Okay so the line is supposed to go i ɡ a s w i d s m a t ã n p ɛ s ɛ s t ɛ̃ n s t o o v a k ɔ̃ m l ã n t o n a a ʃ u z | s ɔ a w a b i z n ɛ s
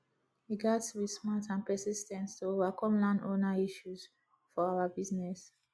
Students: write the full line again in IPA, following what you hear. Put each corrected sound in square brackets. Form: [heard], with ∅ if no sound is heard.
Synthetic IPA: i ɡ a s w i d s m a t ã n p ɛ s [i] s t ɛ̃ n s t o o v a k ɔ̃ m l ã n [d] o n a [i] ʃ u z | [f] ɔ a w a b i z n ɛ s